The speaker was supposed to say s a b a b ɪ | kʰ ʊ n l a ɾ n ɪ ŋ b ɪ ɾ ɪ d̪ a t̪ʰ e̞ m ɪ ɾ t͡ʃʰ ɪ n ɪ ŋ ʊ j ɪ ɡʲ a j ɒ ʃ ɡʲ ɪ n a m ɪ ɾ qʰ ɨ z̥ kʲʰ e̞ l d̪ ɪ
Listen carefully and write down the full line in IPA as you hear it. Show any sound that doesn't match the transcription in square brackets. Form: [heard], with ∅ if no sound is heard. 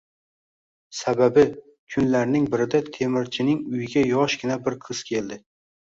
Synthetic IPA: s a b a b ɪ | kʰ ʊ n l a ɾ n ɪ ŋ b ɪ ɾ ɪ d̪ a t̪ʰ e̞ m ɪ ɾ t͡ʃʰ ɪ n ɪ ŋ ʊ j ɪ ɡʲ a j ɒ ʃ ɡʲ ɪ n a [b] ɪ ɾ qʰ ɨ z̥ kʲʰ e̞ l d̪ ɪ

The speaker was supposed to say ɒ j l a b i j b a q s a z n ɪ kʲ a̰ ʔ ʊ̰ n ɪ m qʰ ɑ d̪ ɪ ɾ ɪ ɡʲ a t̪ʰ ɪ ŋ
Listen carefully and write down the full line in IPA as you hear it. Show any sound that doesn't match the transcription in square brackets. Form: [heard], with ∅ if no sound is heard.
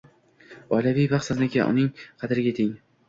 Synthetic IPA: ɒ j l a [v] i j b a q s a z n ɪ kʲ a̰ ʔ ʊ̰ n ɪ [ŋ] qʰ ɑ d̪ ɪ ɾ ɪ ɡʲ a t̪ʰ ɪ ŋ

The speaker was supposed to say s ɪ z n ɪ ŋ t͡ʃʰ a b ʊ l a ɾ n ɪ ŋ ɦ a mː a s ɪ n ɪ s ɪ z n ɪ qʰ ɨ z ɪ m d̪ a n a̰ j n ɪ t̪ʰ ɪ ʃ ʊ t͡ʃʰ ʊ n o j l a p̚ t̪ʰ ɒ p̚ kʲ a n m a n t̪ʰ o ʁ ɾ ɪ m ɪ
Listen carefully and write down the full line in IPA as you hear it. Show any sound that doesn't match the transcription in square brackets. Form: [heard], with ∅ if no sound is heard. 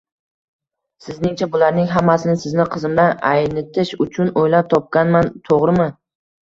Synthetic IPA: s ɪ z n ɪ ŋ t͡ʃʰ a b ʊ l a ɾ n ɪ ŋ ɦ a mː a s ɪ n ɪ s ɪ z n ɪ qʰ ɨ z ɪ m d̪ a n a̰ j n ɪ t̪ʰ ɪ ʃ ʊ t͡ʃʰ ʊ n o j l a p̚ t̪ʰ ɒ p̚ kʲ a n m a n t̪ʰ o ʁ ɾ ɪ m ɪ

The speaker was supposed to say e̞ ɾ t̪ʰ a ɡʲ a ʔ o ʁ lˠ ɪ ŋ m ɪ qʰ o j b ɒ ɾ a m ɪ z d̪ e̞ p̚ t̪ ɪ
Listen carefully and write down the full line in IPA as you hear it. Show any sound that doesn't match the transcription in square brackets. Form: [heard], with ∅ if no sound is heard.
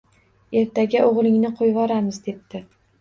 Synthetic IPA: e̞ ɾ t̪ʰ a ɡʲ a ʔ o ʁ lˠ ɪ ŋ [n] ɪ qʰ o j [v] ɒ ɾ a m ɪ z d̪ e̞ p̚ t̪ ɪ

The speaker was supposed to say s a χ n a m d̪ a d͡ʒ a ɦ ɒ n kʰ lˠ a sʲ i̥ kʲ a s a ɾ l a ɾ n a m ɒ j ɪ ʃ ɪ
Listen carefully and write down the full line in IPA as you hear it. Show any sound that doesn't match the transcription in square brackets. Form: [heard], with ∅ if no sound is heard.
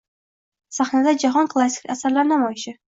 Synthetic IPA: s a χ n a [∅] d̪ a d͡ʒ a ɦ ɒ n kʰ lˠ a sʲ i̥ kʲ a s a ɾ l a ɾ n a m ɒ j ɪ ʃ ɪ

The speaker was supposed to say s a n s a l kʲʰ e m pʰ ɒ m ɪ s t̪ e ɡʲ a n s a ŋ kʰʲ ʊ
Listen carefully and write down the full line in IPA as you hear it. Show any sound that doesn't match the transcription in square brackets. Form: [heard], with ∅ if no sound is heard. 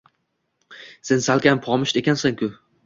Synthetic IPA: s [e] n s a l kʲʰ [a] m pʰ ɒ m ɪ [ʃ] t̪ e [kʲ] a n s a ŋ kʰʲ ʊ

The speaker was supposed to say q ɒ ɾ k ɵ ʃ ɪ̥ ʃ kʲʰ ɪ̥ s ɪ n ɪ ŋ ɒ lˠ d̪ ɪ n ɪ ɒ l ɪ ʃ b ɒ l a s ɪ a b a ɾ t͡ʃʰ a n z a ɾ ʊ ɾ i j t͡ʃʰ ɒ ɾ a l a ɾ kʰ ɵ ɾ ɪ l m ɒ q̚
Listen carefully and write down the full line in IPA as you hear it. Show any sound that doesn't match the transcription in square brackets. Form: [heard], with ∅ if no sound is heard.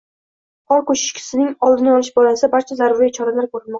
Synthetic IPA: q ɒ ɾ k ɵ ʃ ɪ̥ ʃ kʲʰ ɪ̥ s ɪ n ɪ ŋ ɒ lˠ d̪ ɪ n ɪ ɒ l ɪ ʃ b ɒ l a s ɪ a b a ɾ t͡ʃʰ a [∅] z a ɾ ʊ ɾ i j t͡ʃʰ ɒ ɾ a l a ɾ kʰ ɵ ɾ ɪ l m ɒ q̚

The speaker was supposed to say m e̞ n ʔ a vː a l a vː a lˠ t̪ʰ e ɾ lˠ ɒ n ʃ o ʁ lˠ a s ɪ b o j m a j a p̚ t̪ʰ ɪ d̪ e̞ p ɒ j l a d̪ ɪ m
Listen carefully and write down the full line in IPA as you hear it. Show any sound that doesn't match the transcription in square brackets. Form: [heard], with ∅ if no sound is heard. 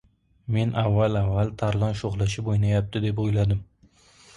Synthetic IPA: m e̞ n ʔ a vː a l a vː a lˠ t̪ʰ [a] ɾ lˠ ɒ n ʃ o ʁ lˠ a [ʃ] ɪ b o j [n] a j a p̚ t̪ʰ ɪ d̪ e̞ p [o] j l a d̪ ɪ m

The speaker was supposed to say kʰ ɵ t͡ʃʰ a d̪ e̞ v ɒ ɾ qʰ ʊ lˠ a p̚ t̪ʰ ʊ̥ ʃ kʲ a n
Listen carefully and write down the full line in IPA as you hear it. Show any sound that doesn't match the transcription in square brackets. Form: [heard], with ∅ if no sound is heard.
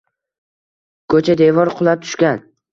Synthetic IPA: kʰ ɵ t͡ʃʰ a d̪ e̞ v ɒ ɾ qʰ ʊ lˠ a p̚ t̪ʰ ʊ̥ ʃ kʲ a n

